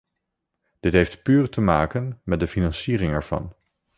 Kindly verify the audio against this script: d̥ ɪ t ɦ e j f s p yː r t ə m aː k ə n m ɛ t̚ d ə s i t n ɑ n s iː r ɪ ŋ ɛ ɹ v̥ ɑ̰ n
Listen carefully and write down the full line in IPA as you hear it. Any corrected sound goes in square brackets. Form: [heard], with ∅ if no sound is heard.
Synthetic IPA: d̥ ɪ t ɦ e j f [t] p yː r t ə m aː k ə n m ɛ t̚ d ə [f] i [∅] n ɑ n s iː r ɪ ŋ ɛ ɹ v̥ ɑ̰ n